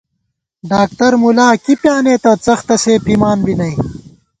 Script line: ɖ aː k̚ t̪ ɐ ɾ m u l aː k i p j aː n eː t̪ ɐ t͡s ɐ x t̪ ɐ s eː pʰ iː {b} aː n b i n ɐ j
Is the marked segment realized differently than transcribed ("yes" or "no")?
yes